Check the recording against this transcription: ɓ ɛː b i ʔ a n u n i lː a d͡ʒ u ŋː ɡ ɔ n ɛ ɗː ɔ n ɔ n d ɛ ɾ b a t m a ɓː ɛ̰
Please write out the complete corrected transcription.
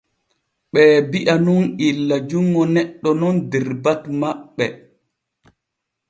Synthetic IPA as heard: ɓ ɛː b i ʔ a n u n i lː a d͡ʒ u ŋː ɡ ɔ n ɛ ɗː ɔ n ɔ n d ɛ ɾ b a t m a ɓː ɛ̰